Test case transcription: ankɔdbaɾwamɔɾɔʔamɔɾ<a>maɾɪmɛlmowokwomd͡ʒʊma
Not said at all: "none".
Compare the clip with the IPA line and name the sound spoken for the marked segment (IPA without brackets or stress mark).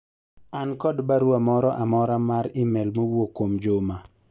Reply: a